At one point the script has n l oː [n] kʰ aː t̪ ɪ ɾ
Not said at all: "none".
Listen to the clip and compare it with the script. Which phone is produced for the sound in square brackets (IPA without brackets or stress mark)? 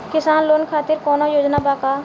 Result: n